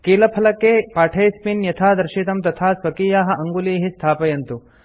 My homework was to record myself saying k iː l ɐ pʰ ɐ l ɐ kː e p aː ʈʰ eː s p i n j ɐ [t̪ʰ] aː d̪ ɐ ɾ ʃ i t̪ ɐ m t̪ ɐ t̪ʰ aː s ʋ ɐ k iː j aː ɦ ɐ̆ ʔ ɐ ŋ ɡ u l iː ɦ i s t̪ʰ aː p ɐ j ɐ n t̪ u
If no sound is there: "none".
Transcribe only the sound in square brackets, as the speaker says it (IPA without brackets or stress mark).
t̪ʰ